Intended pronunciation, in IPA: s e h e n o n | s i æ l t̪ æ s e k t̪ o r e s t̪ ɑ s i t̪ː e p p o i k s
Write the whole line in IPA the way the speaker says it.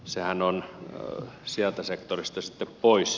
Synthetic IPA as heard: s e h æ n o n | s i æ l t̪ æ s e k t̪ o r i s t̪ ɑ s i t̪ː e p p o i s